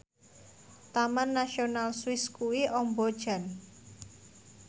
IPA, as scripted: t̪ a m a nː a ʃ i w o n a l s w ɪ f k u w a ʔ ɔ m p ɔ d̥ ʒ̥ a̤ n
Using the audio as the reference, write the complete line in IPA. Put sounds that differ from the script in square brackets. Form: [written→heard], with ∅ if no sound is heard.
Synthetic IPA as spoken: t̪ a m a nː a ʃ i [w→∅] o n a l s w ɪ [f→s] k u w [a→i] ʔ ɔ m [p→b] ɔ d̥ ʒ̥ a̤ n

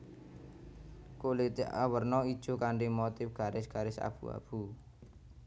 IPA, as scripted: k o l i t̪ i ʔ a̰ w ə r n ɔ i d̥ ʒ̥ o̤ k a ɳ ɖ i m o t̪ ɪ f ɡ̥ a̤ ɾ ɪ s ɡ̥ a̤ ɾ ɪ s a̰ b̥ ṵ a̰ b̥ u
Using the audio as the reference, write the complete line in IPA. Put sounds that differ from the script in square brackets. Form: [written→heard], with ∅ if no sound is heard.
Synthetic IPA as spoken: k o l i t̪ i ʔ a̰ w ə r n ɔ i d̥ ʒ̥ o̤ k a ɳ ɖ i m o t̪ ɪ f ɡ̥ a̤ ɾ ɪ s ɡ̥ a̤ ɾ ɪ s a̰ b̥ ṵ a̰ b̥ u

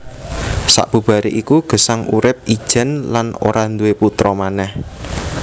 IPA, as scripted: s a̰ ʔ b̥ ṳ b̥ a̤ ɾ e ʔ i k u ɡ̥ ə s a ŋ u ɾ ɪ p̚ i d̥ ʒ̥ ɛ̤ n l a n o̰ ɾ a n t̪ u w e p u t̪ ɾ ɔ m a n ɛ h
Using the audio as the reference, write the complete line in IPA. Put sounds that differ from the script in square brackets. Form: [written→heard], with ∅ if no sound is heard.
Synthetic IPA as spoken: s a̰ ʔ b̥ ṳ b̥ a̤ ɾ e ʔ i k u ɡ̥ ə s a ŋ u ɾ ɪ p̚ i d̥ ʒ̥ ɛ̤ n l a n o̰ ɾ a n [t̪→d̪] u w e p u t̪ ɾ ɔ m a n ɛ h

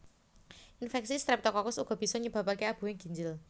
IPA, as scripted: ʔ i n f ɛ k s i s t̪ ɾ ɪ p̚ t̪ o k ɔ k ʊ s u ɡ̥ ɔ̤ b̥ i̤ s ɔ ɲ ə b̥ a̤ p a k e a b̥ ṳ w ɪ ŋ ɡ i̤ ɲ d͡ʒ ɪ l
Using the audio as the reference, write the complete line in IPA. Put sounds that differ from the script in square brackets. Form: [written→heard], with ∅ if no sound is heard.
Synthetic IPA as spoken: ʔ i n f ɛ k s i s t̪ ɾ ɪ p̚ t̪ [o→ɔ] k ɔ k ʊ s u ɡ̥ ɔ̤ b̥ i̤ s ɔ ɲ ə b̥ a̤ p a k e a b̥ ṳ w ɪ ŋ ɡ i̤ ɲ d͡ʒ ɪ l

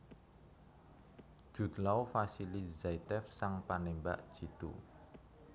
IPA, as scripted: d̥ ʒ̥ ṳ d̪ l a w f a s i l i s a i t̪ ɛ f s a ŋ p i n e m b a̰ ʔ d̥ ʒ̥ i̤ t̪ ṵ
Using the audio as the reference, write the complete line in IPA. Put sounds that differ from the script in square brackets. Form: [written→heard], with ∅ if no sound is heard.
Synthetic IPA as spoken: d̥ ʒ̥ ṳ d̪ l a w f a s i l i [s→z] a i t̪ ɛ f s a ŋ p [i→a] n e m b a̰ ʔ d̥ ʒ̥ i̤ t̪ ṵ

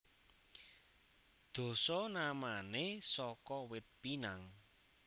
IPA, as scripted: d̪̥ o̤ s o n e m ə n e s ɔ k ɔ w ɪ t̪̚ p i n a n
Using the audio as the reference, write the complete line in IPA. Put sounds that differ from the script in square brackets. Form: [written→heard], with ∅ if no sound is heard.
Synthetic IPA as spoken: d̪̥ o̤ s [o→ɔ] n [e→a] m [ə→a] n e s ɔ k ɔ w ɪ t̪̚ p i n a [n→ŋ]

